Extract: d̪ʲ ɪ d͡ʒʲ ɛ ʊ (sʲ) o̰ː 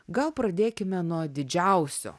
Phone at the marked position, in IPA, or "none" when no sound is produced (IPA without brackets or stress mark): sʲ